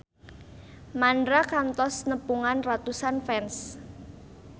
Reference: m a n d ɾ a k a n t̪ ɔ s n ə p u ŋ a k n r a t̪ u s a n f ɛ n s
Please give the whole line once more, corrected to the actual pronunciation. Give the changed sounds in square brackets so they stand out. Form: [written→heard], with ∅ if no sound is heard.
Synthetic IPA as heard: m a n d ɾ a k a n t̪ ɔ s n ə p u ŋ a [k→∅] n r a t̪ u s a n f ɛ n s